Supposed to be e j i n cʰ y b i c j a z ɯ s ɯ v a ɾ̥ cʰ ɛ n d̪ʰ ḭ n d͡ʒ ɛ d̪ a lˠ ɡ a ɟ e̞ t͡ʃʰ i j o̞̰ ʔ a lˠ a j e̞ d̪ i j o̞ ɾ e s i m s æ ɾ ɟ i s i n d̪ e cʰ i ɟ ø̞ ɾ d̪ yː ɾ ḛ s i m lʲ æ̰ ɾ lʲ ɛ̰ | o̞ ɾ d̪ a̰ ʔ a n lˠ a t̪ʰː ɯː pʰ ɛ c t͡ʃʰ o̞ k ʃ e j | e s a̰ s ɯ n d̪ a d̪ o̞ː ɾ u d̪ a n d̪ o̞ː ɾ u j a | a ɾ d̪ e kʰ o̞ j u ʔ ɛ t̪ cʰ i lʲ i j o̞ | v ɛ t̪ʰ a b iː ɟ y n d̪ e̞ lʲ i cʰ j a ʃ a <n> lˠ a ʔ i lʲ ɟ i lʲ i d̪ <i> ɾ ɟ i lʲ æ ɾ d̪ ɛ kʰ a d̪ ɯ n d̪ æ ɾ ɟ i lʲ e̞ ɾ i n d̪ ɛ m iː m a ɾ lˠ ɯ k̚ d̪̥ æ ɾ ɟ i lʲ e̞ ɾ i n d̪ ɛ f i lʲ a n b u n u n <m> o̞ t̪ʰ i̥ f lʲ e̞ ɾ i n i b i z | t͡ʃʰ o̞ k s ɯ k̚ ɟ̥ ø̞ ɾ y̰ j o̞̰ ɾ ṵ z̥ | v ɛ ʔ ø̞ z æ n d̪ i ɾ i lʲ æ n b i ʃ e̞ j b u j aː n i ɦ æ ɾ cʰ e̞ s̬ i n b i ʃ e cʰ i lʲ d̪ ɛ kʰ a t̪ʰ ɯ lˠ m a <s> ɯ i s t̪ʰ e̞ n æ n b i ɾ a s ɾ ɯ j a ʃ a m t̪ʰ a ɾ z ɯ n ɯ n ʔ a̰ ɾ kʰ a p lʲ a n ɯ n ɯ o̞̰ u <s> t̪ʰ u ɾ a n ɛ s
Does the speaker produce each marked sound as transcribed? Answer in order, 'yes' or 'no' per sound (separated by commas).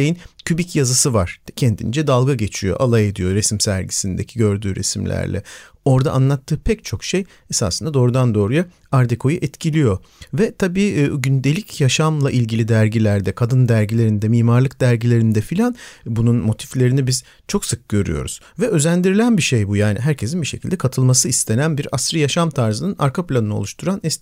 no, no, yes, yes, no